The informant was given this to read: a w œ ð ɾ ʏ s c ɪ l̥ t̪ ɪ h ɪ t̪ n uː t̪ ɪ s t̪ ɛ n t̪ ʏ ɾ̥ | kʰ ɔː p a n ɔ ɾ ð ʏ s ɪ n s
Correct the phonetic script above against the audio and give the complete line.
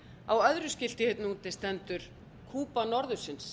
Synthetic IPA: a w œ ð ɾ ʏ s c ɪ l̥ t̪ ɪ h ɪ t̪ n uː t̪ ɪ s t̪ ɛ n t̪ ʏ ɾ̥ | kʰ uː p a n ɔ ɾ ð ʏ s ɪ n s